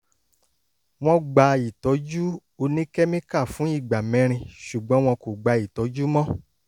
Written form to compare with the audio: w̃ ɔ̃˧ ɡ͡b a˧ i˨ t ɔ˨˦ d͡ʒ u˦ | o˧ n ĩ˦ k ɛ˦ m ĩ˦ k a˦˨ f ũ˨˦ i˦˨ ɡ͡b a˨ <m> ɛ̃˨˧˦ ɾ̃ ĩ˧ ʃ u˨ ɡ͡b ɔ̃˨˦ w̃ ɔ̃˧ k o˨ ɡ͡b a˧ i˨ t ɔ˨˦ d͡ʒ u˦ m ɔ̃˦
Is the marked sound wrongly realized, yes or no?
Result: no